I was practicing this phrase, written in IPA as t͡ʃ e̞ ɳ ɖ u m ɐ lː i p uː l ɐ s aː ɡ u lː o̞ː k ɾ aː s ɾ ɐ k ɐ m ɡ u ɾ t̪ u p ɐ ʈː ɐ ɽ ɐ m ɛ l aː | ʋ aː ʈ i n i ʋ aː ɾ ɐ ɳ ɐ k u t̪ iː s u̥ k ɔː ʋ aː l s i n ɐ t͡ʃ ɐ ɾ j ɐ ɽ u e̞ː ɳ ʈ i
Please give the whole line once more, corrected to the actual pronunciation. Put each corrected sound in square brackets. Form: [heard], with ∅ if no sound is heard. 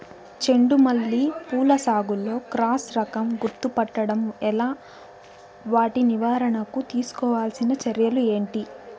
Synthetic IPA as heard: t͡ʃ e̞ ɳ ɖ u m ɐ lː i p uː l ɐ s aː ɡ u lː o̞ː k ɾ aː s ɾ ɐ k ɐ m ɡ u ɾ t̪ u p ɐ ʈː ɐ ɽ ɐ m ɛ l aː | ʋ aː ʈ i n i ʋ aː ɾ ɐ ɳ ɐ k u t̪ iː s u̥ k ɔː ʋ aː l s i n ɐ t͡ʃ ɐ ɾ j ɐ [l] u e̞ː ɳ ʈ i

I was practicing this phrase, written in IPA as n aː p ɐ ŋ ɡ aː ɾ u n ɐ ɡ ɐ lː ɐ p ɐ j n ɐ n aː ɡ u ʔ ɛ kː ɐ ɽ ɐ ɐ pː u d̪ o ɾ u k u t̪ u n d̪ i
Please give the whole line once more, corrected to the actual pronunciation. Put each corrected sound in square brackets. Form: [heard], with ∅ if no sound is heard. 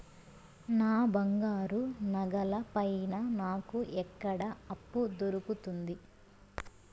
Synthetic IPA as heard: n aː [b] ɐ ŋ ɡ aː ɾ u n ɐ ɡ ɐ [l] ɐ p ɐ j n ɐ n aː [k] u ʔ ɛ kː ɐ ɽ ɐ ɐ pː u d̪ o ɾ u k u t̪ u n d̪ i

